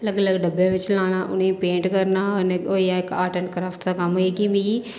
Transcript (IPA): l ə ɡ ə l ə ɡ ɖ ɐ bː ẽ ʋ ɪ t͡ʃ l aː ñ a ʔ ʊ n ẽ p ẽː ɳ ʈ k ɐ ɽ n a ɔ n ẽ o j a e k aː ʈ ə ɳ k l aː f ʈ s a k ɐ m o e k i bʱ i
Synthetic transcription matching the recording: l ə ɡ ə l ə ɡ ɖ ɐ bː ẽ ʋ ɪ t͡ʃ l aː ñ a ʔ ʊ n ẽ p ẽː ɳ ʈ k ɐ ɾ n a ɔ n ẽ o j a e k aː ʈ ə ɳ k ɾ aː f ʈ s a k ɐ m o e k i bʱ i